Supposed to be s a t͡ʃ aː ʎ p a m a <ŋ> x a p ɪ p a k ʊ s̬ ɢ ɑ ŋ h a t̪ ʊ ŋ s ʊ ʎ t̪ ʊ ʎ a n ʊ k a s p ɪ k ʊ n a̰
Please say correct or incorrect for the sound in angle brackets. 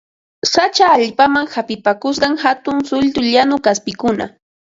correct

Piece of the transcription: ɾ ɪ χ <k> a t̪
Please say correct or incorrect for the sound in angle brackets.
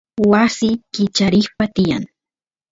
incorrect: p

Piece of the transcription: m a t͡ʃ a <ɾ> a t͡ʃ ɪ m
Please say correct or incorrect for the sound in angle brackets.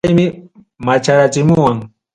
correct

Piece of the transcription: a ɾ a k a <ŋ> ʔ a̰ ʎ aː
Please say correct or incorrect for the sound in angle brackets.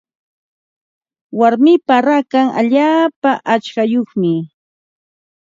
correct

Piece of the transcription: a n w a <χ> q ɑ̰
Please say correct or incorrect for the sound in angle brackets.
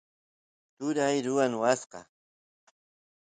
incorrect: s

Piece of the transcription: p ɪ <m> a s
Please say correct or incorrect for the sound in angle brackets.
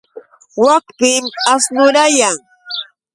correct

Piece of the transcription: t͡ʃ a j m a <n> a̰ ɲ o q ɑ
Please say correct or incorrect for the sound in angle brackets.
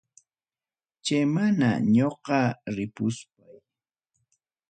correct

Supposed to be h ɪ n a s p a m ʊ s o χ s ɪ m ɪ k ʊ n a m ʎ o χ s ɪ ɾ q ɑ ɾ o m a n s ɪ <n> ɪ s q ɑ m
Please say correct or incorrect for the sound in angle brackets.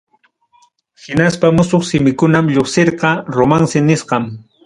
correct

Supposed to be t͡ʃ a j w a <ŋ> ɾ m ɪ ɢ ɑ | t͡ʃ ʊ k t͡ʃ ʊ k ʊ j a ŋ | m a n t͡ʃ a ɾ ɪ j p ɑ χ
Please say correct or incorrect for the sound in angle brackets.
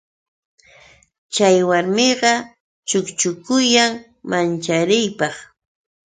incorrect: none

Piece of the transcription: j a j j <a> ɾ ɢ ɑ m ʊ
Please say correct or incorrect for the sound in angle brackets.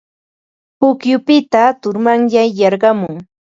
incorrect: ɑ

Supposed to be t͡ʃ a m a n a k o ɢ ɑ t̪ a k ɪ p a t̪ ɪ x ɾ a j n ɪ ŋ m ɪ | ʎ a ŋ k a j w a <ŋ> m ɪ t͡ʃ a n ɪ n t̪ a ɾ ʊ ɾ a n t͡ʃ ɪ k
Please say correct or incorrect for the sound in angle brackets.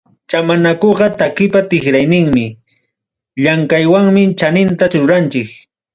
correct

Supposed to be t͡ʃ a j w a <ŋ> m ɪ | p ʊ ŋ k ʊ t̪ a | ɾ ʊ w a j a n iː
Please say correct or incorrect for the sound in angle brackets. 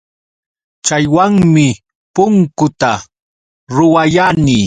correct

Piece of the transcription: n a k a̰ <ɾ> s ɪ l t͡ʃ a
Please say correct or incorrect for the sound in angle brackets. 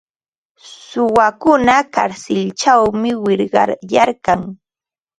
correct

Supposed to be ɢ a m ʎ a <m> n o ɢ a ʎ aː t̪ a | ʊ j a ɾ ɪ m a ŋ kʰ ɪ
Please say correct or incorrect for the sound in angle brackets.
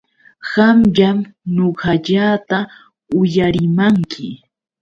correct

